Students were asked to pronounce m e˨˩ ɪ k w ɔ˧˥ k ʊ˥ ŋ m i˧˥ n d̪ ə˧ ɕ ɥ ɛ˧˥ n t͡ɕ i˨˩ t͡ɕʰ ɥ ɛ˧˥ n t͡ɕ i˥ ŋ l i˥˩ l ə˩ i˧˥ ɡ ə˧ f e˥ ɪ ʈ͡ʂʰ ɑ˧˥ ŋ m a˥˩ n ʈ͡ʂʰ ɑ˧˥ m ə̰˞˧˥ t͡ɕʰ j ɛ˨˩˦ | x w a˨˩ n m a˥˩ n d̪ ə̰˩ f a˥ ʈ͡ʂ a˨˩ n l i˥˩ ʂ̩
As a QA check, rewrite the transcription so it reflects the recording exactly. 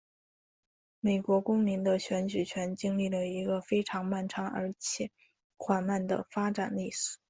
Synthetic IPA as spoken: m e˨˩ ɪ k w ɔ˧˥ k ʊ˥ ŋ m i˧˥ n d̪ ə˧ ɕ ɥ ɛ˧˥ n t͡ɕ y˨˩ t͡ɕʰ ɥ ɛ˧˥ n t͡ɕ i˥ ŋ l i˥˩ l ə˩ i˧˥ ɡ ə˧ f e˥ ɪ ʈ͡ʂʰ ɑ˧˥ ŋ m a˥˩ n ʈ͡ʂʰ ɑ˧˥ ŋ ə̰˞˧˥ t͡ɕʰ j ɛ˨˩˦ | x w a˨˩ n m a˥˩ n d̪ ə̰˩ f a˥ ʈ͡ʂ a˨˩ n l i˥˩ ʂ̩